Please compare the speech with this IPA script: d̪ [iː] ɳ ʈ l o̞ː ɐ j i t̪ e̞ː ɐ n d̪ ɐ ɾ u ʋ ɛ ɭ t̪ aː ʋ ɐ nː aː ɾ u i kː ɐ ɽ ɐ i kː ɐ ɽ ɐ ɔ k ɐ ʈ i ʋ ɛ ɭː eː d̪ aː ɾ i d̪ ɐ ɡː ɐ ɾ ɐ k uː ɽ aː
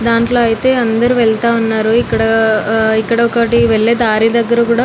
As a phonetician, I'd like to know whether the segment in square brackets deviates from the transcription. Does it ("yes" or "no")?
yes